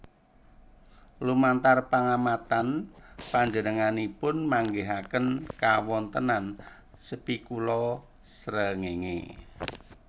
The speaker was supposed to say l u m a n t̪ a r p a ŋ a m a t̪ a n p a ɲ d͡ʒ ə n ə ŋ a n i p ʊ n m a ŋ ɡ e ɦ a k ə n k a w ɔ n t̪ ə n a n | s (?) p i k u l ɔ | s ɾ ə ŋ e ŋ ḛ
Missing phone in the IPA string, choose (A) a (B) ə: B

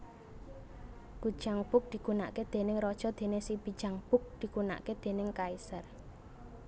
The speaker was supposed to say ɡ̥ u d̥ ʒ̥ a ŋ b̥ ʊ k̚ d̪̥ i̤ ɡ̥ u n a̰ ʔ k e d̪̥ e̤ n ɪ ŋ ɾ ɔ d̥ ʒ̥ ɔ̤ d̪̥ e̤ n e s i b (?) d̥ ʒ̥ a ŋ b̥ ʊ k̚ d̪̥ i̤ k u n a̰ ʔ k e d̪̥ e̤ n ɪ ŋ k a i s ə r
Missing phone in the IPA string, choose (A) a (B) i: B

